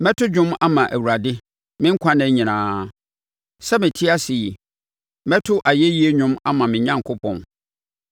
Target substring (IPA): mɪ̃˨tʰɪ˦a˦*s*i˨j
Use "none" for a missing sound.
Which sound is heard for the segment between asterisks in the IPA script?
s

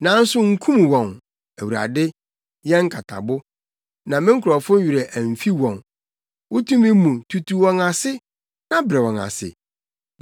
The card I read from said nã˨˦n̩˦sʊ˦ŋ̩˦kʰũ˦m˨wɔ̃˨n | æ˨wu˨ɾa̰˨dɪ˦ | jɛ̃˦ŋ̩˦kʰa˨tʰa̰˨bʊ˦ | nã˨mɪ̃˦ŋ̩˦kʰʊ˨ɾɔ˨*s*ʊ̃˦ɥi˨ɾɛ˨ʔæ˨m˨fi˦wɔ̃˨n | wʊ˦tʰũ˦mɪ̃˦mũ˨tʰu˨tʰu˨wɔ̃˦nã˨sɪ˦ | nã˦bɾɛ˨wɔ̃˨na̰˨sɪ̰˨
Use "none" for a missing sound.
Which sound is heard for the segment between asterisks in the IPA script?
f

